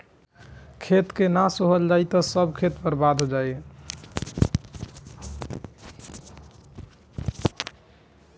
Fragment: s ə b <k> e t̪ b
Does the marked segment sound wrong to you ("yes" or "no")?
yes